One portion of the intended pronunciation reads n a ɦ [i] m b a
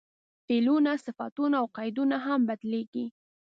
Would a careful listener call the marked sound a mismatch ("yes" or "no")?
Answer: yes